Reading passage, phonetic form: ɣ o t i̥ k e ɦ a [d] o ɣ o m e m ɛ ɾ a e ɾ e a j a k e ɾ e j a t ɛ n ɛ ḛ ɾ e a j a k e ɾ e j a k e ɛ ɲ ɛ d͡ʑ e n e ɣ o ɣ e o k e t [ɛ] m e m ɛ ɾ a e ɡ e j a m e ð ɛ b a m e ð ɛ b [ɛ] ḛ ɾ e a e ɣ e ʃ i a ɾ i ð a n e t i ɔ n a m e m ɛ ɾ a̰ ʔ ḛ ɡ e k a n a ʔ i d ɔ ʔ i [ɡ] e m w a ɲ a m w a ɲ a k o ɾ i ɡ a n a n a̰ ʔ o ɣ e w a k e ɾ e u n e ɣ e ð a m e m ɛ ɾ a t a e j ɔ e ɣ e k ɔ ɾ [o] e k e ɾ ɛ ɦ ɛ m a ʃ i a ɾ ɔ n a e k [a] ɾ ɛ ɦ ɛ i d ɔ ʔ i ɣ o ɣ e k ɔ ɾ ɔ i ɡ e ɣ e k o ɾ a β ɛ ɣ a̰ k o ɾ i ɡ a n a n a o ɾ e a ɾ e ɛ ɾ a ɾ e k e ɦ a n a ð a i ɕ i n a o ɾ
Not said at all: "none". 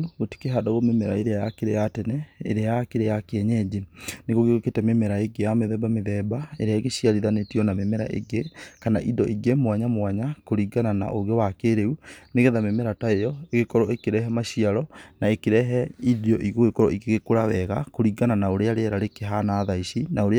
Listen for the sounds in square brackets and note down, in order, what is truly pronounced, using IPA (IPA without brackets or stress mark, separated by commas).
d, ɛ, a, ɡ, ɔ, e